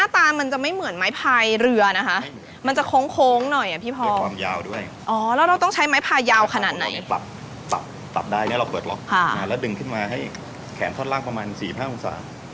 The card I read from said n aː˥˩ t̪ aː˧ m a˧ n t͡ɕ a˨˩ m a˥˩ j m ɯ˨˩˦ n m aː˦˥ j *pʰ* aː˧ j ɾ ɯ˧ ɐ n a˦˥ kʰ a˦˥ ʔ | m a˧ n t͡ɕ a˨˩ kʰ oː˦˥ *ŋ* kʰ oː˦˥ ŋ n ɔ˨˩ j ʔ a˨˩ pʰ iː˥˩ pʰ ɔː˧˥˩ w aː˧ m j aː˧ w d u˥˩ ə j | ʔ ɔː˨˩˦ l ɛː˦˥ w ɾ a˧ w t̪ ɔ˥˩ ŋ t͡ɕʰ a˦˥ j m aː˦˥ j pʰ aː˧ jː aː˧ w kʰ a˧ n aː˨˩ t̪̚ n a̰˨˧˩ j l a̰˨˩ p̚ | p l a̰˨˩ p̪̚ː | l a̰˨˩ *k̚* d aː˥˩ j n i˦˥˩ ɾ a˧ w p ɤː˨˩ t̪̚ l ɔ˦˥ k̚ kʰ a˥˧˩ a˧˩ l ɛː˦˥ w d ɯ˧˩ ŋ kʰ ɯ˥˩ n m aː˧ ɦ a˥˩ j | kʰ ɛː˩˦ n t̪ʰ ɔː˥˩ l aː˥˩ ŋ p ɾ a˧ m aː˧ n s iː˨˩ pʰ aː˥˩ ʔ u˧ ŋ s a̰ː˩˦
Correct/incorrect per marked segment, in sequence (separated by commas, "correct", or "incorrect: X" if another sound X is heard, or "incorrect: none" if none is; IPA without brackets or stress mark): correct, correct, incorrect: p̚